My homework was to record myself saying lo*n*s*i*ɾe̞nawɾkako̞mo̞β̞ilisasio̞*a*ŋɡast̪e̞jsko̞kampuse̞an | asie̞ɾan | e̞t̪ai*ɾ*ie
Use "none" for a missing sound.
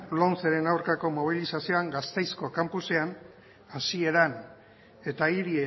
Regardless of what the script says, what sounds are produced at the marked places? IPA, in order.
n, e, a, ɾ

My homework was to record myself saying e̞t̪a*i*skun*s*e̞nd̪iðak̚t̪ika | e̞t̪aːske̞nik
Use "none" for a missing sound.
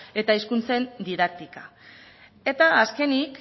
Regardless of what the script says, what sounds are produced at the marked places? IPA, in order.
i, t͡s

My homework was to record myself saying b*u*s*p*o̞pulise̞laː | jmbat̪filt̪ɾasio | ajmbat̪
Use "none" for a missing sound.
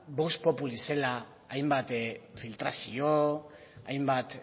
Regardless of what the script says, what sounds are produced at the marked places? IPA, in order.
o, p

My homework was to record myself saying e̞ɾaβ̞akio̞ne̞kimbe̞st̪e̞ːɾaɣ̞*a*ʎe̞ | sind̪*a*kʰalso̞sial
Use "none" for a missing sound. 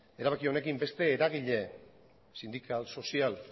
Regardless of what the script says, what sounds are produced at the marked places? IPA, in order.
i, i

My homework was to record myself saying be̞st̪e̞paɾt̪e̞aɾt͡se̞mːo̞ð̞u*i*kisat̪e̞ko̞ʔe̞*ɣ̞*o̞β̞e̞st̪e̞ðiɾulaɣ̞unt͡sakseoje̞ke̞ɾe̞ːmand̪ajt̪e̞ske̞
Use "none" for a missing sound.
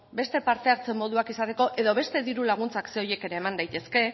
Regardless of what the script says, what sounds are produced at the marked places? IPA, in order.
a, ð̞

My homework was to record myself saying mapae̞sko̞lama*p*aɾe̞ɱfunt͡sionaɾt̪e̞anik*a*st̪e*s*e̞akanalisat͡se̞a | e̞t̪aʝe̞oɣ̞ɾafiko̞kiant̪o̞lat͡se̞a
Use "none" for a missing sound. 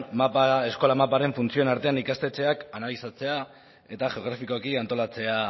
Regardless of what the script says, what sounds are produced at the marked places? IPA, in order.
p, a, t͡s

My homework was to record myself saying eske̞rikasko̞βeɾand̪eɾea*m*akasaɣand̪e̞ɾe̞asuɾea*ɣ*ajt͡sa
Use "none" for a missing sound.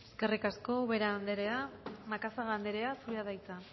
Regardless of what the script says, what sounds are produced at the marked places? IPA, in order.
m, ð

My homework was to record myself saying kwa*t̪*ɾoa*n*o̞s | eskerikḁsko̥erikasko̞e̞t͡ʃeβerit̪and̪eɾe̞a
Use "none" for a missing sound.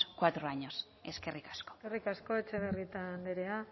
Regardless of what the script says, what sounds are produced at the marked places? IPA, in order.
t̪, ɲ

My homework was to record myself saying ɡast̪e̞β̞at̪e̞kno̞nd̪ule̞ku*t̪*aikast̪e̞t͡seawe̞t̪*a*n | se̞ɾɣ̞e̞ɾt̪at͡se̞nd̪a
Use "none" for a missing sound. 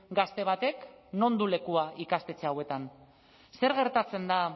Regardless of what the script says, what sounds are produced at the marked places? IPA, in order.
none, a

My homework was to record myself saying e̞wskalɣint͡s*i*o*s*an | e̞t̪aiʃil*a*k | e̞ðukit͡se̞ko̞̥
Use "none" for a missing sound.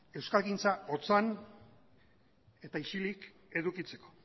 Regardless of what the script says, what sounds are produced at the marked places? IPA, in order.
a, t͡s, i

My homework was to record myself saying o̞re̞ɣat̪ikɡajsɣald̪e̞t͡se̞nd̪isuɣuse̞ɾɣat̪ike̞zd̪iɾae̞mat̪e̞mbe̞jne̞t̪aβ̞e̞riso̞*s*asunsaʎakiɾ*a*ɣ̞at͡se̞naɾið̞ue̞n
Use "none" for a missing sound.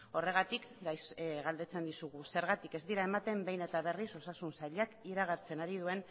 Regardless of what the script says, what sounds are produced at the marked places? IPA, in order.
s, a

